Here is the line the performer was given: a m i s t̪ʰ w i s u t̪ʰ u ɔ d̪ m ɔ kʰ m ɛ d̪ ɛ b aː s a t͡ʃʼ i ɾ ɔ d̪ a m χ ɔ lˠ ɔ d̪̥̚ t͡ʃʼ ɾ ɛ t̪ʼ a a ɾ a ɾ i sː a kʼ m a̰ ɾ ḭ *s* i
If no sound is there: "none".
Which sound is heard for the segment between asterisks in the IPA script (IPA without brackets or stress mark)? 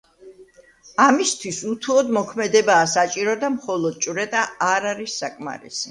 s